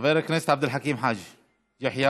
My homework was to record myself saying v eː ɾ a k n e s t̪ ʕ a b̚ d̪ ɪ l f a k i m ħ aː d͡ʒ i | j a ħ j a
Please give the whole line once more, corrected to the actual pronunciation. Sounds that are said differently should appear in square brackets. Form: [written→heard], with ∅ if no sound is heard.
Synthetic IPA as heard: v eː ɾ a k n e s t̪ ʕ a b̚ d̪ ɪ l [f→ħ] a k [i→iː] m ħ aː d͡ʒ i | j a ħ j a